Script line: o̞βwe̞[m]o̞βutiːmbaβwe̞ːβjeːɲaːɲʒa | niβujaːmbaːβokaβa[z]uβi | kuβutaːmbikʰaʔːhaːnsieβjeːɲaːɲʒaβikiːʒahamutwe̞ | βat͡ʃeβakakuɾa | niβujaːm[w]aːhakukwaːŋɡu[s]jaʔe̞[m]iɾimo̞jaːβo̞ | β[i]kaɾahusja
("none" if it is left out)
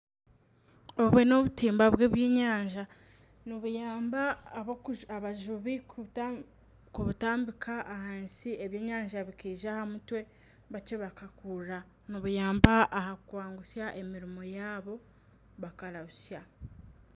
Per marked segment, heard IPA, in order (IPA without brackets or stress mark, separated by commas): n, ʒ, b, s, m, a